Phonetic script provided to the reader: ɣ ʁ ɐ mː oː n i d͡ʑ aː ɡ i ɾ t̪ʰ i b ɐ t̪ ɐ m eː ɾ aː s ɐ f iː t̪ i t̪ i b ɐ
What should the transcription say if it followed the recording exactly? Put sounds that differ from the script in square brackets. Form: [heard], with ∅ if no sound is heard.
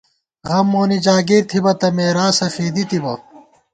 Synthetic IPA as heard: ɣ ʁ ɐ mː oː n i d͡ʑ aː ɡ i ɾ t̪ʰ i b ɐ t̪ ɐ m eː ɾ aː s ɐ f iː [d̪] i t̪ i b ɐ

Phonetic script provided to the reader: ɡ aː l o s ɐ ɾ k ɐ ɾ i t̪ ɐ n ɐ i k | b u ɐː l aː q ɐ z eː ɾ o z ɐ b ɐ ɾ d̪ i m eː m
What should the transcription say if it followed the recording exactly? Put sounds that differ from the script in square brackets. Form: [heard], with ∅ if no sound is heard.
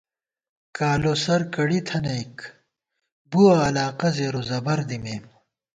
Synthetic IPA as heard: [k] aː l o s ɐ ɾ k ɐ [ɽ] i [t̪ʰ] ɐ n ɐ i k | b u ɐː l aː q ɐ z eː ɾ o z ɐ b ɐ ɾ d̪ i m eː m

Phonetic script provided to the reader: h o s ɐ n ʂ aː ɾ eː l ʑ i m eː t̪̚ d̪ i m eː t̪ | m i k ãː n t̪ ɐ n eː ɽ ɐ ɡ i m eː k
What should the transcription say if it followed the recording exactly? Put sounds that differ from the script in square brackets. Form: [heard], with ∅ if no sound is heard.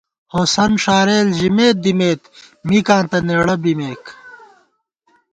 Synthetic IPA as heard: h o s ɐ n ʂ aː ɾ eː l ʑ i m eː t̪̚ d̪ i m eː t̪ | m i k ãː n t̪ ɐ n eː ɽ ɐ [b] i m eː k

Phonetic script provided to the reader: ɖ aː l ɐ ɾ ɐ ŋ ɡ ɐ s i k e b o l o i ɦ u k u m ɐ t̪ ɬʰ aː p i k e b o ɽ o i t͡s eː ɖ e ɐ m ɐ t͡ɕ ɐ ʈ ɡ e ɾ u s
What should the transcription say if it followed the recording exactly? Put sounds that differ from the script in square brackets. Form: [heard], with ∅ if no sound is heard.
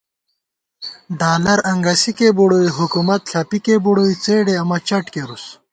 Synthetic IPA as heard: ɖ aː l ɐ ɾ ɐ ŋ ɡ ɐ s i k e b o [ɽ] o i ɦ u k u m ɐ t̪ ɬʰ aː p i k e b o ɽ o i t͡s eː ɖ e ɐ m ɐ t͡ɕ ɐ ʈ [k] e ɾ u s

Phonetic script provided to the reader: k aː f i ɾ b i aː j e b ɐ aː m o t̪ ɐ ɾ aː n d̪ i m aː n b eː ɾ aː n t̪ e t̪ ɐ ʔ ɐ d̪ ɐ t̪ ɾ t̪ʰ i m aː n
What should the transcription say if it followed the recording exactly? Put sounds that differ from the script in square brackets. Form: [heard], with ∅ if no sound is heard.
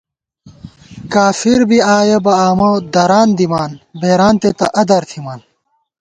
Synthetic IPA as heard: k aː f i ɾ b i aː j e b ɐ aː m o [d̪] ɐ ɾ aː n d̪ i m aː n b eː ɾ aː n t̪ e t̪ ɐ ʔ ɐ d̪ ɐ [∅] ɾ t̪ʰ i m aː n

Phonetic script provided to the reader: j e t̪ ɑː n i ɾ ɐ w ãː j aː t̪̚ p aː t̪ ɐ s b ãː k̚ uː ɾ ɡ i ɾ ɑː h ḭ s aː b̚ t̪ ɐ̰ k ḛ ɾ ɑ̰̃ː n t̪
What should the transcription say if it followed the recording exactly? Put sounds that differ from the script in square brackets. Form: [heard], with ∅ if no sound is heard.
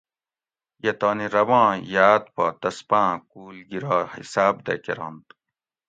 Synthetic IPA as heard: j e t̪ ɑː n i ɾ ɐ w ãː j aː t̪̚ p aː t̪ ɐ s [p] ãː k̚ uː [l] ɡ i ɾ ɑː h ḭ s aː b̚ [d̪] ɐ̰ k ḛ ɾ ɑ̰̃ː n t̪

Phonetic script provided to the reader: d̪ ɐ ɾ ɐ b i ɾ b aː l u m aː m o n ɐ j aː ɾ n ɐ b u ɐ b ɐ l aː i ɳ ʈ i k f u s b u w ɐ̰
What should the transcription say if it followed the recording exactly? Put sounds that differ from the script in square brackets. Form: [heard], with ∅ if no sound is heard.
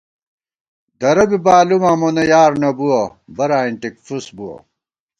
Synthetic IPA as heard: d̪ ɐ ɾ ɐ b i [∅] b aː l u m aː m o n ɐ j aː ɾ n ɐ b u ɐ b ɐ [ɾ] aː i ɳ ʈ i k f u s b u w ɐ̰

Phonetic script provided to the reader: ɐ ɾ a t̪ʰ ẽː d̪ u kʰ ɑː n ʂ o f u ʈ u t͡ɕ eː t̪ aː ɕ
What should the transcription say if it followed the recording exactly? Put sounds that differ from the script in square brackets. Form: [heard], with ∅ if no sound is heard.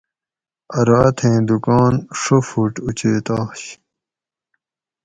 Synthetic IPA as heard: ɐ ɾ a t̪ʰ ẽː d̪ u [k] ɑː n ʂ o f u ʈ u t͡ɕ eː t̪ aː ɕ

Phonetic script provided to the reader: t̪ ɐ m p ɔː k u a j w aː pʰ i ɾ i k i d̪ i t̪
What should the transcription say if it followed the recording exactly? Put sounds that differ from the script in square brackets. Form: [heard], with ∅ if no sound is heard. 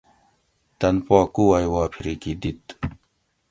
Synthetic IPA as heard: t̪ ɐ [n] p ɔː k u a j w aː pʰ i ɾ i k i d̪ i t̪

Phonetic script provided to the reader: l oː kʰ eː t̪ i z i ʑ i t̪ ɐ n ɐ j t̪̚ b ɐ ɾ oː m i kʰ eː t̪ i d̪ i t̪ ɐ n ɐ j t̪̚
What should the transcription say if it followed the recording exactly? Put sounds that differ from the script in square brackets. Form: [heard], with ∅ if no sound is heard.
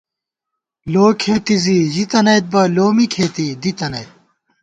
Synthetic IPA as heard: l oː kʰ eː t̪ i z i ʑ i t̪ ɐ n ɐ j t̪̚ b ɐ [l] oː m i kʰ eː t̪ i d̪ i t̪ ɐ n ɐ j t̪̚

